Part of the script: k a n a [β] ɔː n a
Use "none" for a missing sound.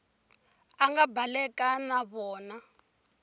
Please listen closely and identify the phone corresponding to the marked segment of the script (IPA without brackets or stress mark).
β